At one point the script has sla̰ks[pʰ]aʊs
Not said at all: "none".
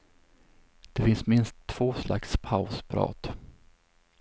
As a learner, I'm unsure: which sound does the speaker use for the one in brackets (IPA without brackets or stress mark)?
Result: pʰ